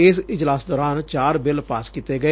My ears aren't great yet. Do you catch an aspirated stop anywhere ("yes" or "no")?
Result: no